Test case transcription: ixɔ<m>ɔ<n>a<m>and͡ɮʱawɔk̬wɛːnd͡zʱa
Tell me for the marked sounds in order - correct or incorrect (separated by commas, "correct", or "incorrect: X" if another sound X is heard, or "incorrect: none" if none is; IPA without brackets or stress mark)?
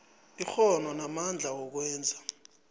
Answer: incorrect: n, correct, correct